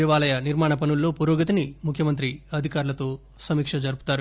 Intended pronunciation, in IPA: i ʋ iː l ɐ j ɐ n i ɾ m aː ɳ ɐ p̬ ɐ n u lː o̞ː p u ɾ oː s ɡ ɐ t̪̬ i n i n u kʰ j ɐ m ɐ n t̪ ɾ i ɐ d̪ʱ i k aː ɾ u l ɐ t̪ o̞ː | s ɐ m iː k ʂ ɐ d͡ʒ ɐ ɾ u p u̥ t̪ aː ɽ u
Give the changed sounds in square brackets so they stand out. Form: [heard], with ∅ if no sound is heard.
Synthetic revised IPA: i ʋ [aː] l ɐ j ɐ n i ɾ m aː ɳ ɐ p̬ ɐ n u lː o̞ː p u ɾ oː [∅] ɡ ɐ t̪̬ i n i [m] u kʰ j ɐ m ɐ n t̪ ɾ i ɐ d̪ʱ i k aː ɾ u l ɐ t̪ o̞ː | s ɐ m iː k ʂ ɐ d͡ʒ ɐ ɾ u p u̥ t̪ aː [ɾ] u